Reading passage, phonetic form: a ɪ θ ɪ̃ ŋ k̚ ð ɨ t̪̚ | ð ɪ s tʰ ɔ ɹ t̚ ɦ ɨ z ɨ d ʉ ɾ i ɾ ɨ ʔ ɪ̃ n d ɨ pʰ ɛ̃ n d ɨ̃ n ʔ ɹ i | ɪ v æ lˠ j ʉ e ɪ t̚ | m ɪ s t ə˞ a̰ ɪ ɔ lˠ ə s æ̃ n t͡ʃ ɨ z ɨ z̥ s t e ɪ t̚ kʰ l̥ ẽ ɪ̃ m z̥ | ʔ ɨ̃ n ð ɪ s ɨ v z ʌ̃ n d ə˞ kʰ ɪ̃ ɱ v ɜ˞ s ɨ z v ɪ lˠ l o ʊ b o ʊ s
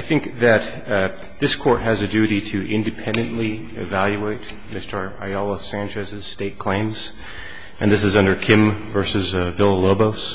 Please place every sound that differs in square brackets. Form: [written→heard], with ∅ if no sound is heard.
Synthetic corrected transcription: a ɪ θ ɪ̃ ŋ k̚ ð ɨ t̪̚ | ð ɪ s [tʰ→kʰ] ɔ ɹ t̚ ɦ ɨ z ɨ d ʉ ɾ i ɾ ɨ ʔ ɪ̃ n d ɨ pʰ ɛ̃ n d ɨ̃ n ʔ [ɹ→l] i | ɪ v æ lˠ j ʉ e ɪ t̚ | m ɪ s t ə˞ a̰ ɪ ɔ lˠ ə s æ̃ n t͡ʃ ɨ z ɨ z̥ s t e ɪ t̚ kʰ l̥ ẽ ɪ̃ m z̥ | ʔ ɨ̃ n ð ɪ s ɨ [v→∅] z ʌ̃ n d ə˞ kʰ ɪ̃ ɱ v ɜ˞ s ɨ z v ɪ lˠ l o ʊ b o ʊ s

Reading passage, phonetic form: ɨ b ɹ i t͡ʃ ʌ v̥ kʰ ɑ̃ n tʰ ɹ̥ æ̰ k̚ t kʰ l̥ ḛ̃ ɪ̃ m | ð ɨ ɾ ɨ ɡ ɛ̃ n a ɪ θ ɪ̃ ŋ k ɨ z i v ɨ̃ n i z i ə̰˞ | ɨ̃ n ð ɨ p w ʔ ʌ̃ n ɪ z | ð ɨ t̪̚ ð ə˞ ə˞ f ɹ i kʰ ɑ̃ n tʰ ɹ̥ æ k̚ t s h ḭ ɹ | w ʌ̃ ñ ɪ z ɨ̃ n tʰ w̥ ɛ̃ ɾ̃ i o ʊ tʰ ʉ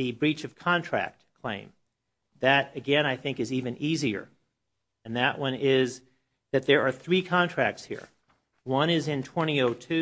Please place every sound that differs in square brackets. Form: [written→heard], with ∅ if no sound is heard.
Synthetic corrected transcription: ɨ b ɹ i t͡ʃ ʌ v̥ kʰ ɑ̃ n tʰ ɹ̥ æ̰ k̚ t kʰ l̥ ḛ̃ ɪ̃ m | ð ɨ ɾ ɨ ɡ ɛ̃ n a ɪ θ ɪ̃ ŋ k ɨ z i v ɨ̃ n i z i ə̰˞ | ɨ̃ n ð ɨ [p→ʔ] w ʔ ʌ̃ n ɪ z | ð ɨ t̪̚ ð ə˞ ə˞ [f→θ] ɹ i kʰ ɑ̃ n tʰ ɹ̥ æ k̚ t s h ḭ ɹ | w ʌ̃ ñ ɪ z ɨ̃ n tʰ w̥ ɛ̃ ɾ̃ i o ʊ tʰ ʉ

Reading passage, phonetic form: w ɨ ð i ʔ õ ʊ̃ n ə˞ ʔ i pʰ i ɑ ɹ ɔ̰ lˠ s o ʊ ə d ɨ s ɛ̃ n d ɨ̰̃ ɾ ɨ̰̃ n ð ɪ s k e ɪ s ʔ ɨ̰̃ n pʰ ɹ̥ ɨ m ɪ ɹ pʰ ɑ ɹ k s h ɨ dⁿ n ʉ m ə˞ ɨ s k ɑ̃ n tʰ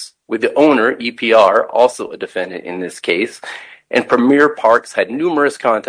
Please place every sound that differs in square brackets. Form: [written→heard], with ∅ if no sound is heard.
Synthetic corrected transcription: w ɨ ð i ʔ õ ʊ̃ n ə˞ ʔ i pʰ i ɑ ɹ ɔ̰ lˠ s o ʊ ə d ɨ [s→f] ɛ̃ n d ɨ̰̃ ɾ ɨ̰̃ n ð ɪ s [k→kʰ] e ɪ s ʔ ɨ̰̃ n pʰ ɹ̥ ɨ m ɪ ɹ pʰ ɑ ɹ k s h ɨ dⁿ n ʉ m ə˞ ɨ s [k→kʰ] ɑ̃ n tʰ

